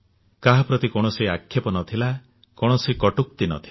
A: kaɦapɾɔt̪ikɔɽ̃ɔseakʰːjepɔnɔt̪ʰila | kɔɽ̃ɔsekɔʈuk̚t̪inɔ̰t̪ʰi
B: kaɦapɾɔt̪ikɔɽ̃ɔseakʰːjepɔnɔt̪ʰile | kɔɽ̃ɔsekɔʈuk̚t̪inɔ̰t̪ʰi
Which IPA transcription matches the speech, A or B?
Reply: A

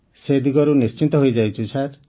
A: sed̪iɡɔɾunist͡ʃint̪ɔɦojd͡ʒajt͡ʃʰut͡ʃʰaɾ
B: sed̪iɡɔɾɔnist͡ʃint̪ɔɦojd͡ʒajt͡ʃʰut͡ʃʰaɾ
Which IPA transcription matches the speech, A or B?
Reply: A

